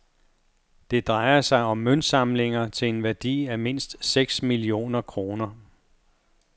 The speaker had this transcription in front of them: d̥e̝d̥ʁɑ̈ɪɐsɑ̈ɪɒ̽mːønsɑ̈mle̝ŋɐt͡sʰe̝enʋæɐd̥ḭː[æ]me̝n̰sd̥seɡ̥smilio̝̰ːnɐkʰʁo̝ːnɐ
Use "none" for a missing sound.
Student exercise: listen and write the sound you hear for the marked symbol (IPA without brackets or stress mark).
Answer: æ